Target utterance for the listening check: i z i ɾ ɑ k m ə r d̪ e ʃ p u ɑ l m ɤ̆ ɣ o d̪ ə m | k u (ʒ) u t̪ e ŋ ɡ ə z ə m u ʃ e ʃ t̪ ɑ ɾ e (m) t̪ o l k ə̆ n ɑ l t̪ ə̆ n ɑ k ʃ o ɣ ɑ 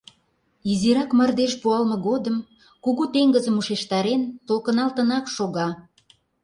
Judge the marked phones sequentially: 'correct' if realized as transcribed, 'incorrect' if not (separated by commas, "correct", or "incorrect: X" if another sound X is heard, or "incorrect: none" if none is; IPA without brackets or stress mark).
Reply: incorrect: ɣ, incorrect: n